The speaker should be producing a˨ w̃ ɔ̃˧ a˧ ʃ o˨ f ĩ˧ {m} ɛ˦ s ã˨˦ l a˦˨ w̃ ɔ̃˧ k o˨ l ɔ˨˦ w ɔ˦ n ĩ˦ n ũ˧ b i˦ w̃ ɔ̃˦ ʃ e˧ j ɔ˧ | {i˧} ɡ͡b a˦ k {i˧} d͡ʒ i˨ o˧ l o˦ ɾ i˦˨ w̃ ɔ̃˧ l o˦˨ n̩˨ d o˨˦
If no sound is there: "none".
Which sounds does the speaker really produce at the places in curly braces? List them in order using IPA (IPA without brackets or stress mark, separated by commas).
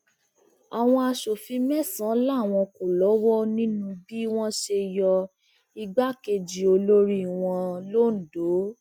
m, i˧, e˧